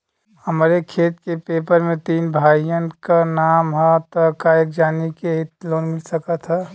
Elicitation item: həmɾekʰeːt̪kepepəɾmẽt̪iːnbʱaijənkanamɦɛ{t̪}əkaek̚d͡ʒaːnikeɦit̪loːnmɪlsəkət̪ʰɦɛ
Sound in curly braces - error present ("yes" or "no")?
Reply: no